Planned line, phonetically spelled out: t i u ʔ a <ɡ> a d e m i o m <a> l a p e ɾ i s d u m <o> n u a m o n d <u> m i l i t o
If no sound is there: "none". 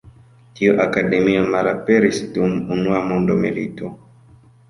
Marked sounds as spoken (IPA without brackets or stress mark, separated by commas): k, a, u, o